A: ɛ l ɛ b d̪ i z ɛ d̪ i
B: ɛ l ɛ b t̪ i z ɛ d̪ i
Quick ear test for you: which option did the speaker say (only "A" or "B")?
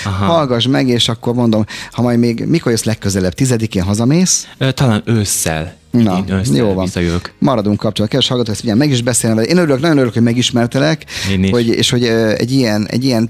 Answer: B